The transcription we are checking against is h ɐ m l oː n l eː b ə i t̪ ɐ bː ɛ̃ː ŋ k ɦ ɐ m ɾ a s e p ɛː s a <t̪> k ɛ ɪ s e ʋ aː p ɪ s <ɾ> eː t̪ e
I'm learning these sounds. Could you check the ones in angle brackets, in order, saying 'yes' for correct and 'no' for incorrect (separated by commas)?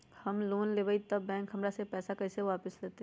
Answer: no, no